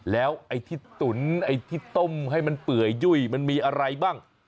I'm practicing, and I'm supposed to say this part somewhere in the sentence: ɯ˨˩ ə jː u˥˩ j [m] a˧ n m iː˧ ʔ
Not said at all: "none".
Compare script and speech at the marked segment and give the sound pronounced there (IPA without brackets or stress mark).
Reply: m